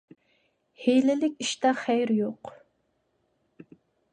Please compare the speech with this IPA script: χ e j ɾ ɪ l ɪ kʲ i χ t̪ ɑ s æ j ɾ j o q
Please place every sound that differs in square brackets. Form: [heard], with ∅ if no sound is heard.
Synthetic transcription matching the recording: [h] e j [l] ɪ l ɪ kʲ i [ʃ] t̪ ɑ [χ] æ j ɾ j o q